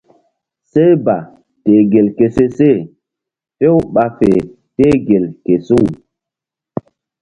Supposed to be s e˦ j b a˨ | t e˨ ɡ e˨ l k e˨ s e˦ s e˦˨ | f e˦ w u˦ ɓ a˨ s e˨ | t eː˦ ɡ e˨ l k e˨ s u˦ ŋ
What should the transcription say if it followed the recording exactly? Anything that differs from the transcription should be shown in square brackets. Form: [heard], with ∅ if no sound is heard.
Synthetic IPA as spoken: s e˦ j b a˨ | t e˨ ɡ e˨ l k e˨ s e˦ s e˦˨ | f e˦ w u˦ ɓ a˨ [f] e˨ | t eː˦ ɡ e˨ l k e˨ s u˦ ŋ